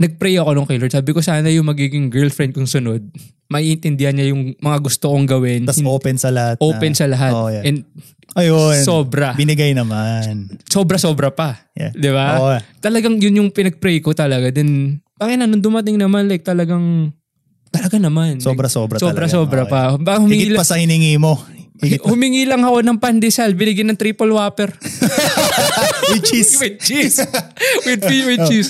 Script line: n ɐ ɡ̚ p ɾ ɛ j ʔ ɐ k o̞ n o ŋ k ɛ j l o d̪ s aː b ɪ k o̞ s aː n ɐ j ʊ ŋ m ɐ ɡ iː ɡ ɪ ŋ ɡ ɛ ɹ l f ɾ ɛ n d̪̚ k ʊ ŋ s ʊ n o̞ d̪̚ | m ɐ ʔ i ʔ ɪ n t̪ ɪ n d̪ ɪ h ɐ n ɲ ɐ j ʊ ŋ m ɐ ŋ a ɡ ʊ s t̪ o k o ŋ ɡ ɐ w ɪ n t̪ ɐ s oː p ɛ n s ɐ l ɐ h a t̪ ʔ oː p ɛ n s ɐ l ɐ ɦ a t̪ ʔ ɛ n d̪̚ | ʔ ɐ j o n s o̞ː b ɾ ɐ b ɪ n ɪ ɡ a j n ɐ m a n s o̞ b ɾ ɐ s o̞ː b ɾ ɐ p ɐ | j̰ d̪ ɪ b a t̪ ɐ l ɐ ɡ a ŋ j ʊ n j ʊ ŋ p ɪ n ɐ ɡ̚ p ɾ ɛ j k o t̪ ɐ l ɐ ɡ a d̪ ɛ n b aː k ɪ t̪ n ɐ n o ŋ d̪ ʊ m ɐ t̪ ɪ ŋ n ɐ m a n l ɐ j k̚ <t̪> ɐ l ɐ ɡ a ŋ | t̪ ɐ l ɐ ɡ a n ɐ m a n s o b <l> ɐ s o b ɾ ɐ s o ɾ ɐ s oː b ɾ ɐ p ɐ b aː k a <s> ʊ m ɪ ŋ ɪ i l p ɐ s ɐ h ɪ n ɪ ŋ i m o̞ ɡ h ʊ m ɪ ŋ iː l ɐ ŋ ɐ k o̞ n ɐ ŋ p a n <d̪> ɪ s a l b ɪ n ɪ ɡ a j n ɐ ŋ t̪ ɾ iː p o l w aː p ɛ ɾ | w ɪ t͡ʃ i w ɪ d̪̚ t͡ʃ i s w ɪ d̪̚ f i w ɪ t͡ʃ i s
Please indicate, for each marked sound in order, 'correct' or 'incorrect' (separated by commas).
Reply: correct, incorrect, incorrect, correct